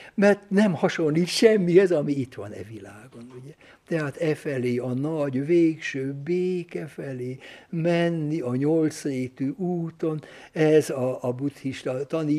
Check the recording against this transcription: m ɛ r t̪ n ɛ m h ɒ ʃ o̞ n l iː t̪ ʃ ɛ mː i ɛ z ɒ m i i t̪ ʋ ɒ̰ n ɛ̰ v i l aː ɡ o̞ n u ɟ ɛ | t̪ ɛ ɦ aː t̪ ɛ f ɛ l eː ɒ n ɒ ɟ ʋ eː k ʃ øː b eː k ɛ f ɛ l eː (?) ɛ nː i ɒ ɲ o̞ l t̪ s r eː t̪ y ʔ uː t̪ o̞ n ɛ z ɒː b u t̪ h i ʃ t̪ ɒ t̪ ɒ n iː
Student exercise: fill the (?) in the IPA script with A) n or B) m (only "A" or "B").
B